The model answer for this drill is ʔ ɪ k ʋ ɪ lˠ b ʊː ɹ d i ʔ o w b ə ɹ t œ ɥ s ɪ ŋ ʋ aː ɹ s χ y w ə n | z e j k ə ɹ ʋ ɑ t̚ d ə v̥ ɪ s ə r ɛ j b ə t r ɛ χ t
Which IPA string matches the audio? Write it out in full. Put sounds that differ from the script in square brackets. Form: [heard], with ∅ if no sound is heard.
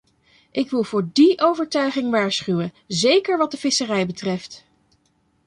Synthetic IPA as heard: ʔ ɪ k ʋ ɪ lˠ [v] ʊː ɹ d i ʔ o w [v] ə ɹ t œ ɥ [χ] ɪ ŋ ʋ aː ɹ s χ y w ə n | z e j k ə ɹ ʋ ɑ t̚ d ə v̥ ɪ s ə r ɛ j b ə t r ɛ [f] t